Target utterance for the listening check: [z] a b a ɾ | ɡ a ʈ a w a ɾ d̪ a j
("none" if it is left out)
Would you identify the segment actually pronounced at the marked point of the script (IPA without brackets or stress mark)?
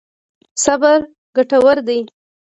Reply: s